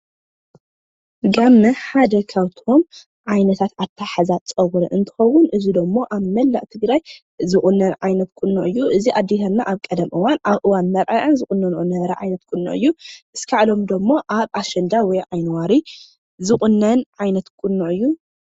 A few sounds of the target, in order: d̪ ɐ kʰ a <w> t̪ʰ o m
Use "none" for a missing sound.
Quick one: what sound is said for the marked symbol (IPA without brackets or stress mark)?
w